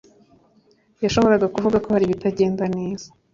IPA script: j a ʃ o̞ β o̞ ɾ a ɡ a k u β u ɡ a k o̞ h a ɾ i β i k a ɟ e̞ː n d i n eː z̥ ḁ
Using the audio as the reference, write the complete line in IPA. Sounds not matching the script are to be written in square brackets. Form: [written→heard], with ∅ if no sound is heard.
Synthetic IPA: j a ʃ o̞ β o̞ ɾ a ɡ a k u [β→v] u ɡ a k o̞ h a ɾ i β i [k→t] a ɟ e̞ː n d [i→a] n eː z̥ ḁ